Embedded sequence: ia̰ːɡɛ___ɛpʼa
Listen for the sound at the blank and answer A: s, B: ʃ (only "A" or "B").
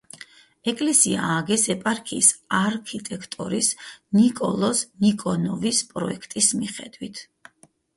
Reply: A